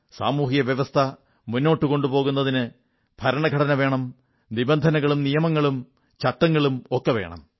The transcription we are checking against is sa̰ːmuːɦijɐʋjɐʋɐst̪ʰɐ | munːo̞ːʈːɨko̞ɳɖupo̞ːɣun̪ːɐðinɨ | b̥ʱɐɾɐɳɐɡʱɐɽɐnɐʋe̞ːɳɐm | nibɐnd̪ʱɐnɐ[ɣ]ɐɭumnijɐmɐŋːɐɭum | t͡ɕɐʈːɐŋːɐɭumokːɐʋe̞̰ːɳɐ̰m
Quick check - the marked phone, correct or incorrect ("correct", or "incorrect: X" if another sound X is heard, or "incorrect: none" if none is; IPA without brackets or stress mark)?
correct